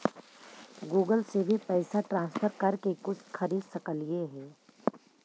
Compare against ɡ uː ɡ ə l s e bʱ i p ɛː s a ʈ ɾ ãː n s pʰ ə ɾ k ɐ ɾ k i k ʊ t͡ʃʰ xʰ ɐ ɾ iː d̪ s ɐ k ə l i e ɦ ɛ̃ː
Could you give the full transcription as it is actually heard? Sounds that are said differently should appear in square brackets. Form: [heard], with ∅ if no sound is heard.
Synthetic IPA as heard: ɡ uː ɡ ə l s e bʱ i p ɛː s a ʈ ɾ ãː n s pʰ ə ɾ k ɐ ɾ k [e] k ʊ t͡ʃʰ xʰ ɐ ɾ iː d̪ s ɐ k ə l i e ɦ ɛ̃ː